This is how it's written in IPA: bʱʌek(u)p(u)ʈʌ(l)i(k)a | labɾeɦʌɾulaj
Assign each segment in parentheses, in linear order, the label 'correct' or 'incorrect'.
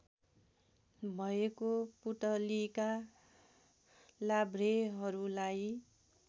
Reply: incorrect: o, correct, correct, correct

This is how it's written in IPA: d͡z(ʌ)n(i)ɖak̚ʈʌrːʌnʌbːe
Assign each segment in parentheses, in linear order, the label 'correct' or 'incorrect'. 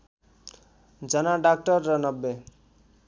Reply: correct, incorrect: a

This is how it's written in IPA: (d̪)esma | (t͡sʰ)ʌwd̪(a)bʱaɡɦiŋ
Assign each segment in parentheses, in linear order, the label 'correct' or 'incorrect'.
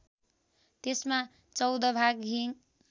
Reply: incorrect: t̪, incorrect: t͡s, incorrect: ʌ

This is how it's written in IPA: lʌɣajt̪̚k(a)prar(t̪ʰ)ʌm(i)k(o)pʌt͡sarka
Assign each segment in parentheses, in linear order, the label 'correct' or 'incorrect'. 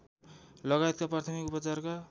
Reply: correct, correct, correct, incorrect: u

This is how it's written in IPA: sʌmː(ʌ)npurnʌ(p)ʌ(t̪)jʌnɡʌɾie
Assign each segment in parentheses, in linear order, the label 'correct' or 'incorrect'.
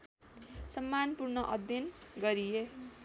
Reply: incorrect: a, incorrect: ʔ, incorrect: d̪

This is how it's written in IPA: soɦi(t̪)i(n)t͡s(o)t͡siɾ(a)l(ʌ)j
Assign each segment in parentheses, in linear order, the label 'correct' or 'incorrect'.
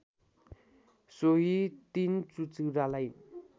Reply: correct, correct, incorrect: u, correct, incorrect: a

